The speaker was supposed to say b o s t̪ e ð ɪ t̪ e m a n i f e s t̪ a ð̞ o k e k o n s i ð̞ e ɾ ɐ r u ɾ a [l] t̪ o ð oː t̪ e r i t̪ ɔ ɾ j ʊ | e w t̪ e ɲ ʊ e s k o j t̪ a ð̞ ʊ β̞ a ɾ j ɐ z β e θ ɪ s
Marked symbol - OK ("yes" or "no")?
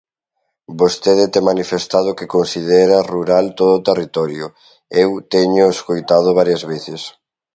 yes